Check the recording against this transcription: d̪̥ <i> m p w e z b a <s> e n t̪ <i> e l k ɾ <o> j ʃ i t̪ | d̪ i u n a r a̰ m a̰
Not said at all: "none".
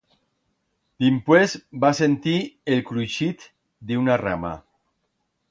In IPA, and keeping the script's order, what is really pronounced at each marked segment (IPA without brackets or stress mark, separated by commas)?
i, s, i, u